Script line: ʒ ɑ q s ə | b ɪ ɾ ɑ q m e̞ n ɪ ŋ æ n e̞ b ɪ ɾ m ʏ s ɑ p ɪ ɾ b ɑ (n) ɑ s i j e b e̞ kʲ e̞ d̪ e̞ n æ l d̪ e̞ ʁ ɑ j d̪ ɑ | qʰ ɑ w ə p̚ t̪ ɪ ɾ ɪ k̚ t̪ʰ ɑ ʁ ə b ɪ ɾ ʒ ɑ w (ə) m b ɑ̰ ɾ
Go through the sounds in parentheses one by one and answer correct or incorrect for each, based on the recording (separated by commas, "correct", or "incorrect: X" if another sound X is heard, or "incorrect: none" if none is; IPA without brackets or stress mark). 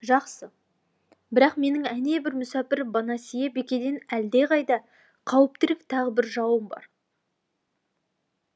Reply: correct, correct